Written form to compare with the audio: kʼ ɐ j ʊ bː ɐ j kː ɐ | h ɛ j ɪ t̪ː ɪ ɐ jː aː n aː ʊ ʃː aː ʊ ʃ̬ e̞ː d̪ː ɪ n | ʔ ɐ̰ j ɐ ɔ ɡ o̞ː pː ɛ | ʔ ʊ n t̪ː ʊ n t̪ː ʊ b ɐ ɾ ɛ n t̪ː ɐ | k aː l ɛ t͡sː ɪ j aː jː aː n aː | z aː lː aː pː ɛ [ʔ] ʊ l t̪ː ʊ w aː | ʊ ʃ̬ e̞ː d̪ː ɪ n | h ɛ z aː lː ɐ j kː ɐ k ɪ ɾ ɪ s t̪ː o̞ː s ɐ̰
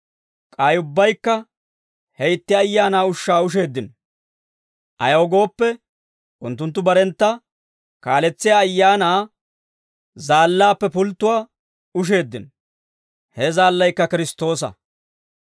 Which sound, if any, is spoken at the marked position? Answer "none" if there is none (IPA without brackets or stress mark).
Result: p